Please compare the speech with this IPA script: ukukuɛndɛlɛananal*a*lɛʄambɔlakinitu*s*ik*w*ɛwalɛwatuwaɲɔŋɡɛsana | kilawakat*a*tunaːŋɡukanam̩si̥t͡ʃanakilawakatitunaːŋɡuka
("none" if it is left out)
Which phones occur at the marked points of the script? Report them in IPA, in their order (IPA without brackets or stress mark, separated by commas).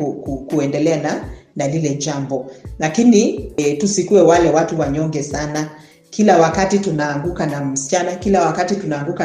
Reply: i, s, u, i